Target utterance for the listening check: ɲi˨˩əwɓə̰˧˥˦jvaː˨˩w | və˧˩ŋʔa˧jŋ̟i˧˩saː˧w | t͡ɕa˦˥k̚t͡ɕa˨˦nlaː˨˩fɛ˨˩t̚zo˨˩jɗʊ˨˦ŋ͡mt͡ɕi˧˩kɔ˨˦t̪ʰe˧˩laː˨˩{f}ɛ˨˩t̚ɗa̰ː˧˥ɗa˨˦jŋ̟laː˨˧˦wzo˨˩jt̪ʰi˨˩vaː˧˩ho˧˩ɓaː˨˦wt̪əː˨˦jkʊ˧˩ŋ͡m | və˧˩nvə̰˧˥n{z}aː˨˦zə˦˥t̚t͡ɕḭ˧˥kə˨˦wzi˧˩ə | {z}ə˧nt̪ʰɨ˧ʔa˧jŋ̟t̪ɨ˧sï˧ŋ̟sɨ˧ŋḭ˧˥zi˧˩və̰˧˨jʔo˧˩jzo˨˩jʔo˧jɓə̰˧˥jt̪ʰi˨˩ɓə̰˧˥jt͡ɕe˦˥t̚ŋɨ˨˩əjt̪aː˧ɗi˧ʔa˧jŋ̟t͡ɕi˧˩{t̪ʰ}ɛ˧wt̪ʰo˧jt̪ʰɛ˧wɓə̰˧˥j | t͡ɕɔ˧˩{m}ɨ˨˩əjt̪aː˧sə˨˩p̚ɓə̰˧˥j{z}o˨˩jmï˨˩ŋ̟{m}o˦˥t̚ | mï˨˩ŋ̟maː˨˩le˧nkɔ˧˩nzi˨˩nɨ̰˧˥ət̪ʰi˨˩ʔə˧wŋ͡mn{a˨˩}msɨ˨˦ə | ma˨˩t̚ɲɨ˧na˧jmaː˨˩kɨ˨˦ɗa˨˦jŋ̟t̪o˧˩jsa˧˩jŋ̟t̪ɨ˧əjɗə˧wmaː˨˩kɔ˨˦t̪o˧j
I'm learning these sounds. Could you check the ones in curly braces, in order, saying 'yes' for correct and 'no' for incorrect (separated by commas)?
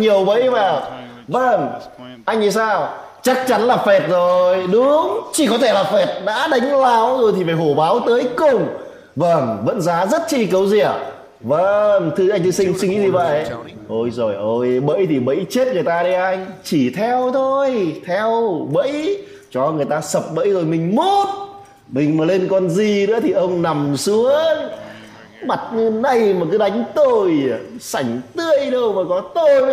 yes, yes, no, yes, no, yes, yes, yes